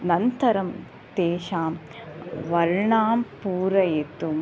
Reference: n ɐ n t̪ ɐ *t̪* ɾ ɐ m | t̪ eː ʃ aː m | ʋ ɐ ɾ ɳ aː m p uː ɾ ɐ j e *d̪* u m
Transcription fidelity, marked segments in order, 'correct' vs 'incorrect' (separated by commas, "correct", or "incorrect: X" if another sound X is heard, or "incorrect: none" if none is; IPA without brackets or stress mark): incorrect: none, incorrect: t̪